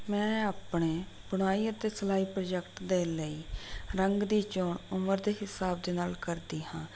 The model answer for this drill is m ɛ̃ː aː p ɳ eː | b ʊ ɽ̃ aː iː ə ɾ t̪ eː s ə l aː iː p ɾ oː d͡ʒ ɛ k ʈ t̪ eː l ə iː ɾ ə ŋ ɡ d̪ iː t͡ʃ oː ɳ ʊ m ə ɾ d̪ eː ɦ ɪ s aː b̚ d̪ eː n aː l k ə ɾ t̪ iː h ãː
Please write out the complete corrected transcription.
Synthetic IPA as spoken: m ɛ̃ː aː p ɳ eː | b ʊ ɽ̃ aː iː ə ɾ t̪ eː s ə l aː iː p ɾ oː d͡ʒ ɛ k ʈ d̪ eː l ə iː ɾ ə ŋ ɡ d̪ iː t͡ʃ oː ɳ ʊ m ə ɾ d̪ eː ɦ ɪ s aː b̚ d̪ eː n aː l k ə ɾ d̪ iː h ãː